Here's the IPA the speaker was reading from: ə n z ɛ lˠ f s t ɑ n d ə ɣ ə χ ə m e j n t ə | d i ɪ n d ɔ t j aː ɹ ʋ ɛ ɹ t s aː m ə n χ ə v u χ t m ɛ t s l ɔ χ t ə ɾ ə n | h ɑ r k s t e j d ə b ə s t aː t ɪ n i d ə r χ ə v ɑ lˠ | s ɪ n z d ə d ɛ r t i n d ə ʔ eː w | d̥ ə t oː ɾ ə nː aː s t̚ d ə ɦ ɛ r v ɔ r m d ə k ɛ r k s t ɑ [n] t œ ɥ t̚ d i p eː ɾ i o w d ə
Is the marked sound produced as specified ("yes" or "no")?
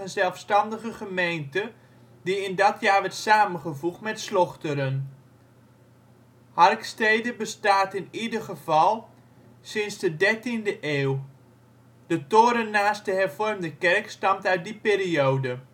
no